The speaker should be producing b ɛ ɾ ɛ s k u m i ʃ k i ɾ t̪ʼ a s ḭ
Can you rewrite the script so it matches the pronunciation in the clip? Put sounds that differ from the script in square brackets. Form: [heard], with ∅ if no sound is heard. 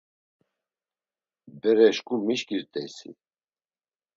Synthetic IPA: b ɛ ɾ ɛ [ʃ] k u m i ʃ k i ɾ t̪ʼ [ɛ] s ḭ